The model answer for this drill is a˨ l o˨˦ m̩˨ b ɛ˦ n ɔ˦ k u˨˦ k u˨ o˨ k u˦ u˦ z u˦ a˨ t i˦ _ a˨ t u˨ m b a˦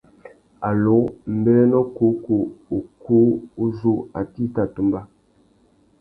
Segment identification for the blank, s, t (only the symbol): t